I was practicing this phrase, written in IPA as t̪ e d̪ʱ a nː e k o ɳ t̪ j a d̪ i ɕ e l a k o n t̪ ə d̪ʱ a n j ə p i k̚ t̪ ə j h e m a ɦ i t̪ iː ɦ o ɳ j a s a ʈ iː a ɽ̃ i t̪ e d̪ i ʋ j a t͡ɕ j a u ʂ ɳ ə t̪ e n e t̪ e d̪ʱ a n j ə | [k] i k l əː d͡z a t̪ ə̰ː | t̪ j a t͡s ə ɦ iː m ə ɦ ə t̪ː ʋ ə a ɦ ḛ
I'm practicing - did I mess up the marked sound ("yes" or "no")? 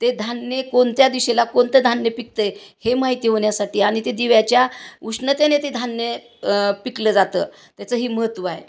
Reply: yes